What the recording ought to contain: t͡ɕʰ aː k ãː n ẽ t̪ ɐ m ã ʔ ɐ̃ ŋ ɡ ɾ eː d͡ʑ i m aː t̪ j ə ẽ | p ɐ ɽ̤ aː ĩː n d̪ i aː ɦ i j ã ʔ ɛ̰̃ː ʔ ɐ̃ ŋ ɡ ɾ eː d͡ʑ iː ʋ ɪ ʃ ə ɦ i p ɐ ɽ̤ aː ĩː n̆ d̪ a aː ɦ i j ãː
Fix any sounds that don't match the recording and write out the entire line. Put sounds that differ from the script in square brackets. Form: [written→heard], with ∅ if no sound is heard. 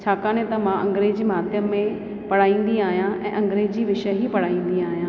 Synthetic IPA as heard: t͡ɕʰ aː k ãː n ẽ t̪ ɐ m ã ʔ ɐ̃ ŋ ɡ ɾ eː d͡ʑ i m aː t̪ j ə ẽ | p ɐ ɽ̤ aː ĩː n d̪ i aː ɦ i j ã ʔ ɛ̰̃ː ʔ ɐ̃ ŋ ɡ ɾ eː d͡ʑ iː ʋ ɪ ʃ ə ɦ i p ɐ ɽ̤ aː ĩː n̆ d̪ [a→i] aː ɦ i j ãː